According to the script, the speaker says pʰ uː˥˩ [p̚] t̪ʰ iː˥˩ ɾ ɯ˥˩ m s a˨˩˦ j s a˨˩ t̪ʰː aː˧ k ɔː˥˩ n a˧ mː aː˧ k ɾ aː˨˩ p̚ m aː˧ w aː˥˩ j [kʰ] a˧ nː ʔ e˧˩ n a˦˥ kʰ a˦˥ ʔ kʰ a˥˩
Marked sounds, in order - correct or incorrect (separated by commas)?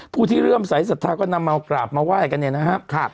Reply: incorrect, incorrect